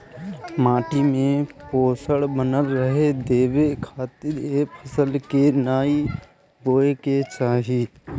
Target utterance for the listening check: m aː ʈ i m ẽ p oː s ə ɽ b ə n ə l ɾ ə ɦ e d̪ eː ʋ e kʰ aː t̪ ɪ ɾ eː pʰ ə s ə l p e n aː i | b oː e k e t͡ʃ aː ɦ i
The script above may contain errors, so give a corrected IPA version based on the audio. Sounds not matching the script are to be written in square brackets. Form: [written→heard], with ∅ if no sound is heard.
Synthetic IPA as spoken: m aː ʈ i m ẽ p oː s ə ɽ b ə n ə l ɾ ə ɦ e d̪ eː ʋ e kʰ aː t̪ ɪ ɾ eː pʰ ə s ə l [p→k] e n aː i | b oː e k e t͡ʃ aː ɦ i